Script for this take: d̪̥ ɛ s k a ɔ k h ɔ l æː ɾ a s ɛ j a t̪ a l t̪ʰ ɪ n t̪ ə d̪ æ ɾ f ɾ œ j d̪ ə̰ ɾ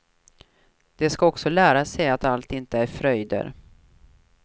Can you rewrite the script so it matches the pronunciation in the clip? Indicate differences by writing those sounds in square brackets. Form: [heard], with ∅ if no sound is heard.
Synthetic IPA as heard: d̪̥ ɛ s k a ɔ k [s] ɔ l æː ɾ a s ɛ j a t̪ a l [t̪] ɪ n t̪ ə [∅] æ ɾ f ɾ œ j d̪ ə̰ ɾ